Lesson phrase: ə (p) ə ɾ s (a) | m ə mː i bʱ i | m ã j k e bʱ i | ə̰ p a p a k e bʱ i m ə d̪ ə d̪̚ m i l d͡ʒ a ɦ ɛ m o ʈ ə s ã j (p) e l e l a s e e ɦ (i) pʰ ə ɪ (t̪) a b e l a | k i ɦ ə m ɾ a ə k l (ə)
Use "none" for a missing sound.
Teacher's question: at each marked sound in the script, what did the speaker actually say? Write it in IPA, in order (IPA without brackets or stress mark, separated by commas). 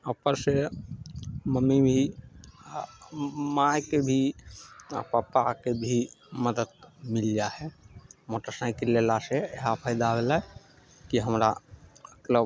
p, e, k, a, d̪, ə